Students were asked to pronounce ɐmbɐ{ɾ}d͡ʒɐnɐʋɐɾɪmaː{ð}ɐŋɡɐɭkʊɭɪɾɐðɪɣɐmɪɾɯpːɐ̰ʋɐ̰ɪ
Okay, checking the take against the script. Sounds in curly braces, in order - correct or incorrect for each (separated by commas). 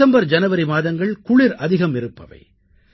correct, correct